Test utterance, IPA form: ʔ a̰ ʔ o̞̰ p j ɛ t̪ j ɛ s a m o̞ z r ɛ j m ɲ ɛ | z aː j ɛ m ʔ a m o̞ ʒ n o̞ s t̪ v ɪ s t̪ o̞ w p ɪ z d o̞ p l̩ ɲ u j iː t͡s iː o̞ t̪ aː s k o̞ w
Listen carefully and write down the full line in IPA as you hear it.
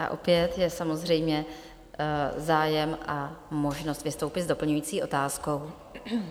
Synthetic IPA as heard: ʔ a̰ ʔ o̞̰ p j ɛ t̪ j ɛ s a m o̞ z r ɛ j m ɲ ɛ | z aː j ɛ m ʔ a m o̞ ʒ n o̞ s t̪ v ɪ s t̪ o̞ w p ɪ z d o̞ p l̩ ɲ u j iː t͡s iː o̞ t̪ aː s k o̞ w